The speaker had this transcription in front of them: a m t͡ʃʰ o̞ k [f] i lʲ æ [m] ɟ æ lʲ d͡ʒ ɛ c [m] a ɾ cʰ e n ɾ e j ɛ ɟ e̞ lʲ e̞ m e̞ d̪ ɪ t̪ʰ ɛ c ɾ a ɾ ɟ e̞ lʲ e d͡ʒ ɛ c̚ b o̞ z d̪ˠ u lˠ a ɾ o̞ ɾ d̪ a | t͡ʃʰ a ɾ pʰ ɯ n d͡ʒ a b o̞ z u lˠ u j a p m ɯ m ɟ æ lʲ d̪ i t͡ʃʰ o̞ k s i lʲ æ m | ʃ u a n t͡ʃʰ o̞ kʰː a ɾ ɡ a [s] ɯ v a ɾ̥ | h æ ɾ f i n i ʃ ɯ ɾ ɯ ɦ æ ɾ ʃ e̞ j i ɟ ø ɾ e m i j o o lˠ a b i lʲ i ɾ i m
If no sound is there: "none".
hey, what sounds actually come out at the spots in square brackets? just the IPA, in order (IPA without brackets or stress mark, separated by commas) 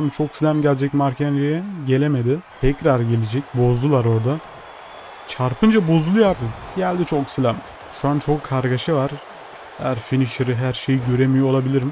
s, m, m, ʃ